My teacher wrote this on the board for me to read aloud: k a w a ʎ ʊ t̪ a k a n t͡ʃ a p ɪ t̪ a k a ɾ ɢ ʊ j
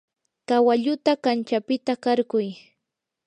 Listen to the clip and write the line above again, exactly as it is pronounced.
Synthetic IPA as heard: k a w a ʎ ʊ t̪ a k a n t͡ʃ a p ɪ t̪ a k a ɾ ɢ ʊ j